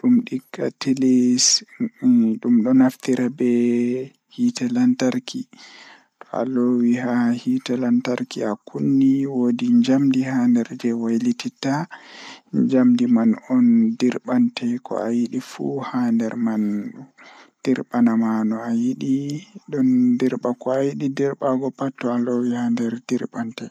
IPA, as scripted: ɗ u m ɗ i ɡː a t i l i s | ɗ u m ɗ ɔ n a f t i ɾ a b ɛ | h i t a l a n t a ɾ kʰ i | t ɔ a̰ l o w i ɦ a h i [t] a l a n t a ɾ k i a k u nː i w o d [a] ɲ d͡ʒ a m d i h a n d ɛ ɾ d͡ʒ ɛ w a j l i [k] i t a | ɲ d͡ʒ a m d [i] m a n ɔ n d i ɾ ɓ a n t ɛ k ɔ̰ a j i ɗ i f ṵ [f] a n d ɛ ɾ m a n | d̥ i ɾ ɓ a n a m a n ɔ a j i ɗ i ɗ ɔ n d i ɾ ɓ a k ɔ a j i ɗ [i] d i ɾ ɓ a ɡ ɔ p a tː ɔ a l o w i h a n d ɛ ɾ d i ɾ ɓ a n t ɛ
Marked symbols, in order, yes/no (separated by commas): yes, no, no, yes, no, yes